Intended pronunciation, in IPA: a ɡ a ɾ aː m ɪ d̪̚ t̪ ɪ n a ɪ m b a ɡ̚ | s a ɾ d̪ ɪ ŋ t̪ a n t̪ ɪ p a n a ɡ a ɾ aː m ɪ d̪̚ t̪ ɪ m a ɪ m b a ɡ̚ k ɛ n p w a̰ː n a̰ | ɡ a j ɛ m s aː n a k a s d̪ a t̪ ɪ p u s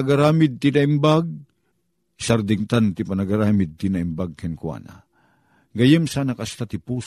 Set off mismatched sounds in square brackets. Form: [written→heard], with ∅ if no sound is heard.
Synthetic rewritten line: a ɡ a ɾ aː m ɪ d̪̚ t̪ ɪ n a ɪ m b a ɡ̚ | s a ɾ d̪ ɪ ŋ t̪ a n t̪ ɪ p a n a ɡ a ɾ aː m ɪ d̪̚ t̪ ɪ [m→n] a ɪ m b a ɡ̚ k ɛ n [p→k] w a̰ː n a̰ | ɡ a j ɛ m s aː n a k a s [d̪→t̪] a t̪ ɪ p u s